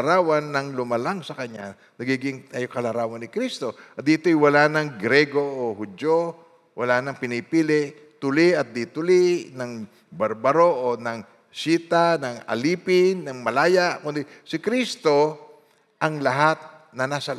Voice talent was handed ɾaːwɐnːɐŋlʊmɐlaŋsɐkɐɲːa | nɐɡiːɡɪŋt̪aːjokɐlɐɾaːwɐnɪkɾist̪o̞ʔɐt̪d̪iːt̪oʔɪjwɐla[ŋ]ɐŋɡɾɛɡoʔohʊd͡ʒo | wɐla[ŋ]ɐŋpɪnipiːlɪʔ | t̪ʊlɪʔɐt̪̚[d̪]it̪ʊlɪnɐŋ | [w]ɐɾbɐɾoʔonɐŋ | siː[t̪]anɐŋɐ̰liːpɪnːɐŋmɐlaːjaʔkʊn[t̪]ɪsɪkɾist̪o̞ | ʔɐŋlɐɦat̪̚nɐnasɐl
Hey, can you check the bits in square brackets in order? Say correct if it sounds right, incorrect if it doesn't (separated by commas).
incorrect, incorrect, correct, incorrect, correct, incorrect